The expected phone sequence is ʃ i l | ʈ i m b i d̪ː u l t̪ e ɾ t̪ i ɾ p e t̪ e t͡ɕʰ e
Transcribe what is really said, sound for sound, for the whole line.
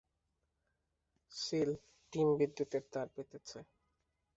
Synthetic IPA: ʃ i l | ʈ i m b i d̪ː u t̪ e ɾ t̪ a ɾ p e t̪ e t͡ɕʰ e